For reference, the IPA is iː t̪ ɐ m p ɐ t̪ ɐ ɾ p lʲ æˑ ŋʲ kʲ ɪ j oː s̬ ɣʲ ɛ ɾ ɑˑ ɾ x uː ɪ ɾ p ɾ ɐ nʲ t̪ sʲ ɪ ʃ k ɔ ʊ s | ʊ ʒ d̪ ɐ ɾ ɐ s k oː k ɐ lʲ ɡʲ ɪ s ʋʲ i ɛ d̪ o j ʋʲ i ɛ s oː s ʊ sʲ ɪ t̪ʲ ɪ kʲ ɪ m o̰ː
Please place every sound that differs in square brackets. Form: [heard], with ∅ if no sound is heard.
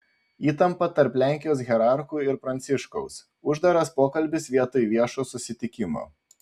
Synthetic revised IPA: iː t̪ ɐ m p ɐ t̪ ɐ ɾ p lʲ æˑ ŋʲ kʲ ɪ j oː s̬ ɣʲ ɛ ɾ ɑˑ ɾ x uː ɪ ɾ p ɾ ɐ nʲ t̪ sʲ ɪ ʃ k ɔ ʊ s | ʊ ʒ d̪ ɐ ɾ ɐ s [p] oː k ɐ lʲ [bʲ] ɪ s ʋʲ i ɛ [t̪] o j ʋʲ i ɛ [ʃ] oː s ʊ sʲ ɪ t̪ʲ ɪ kʲ ɪ m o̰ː